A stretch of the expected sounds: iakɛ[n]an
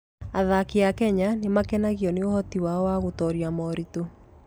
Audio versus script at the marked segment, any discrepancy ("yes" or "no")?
yes